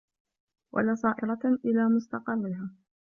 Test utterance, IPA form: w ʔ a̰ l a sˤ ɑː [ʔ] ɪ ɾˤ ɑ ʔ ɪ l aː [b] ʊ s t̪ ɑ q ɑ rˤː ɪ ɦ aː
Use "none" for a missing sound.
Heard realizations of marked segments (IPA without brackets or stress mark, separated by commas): ʔ, m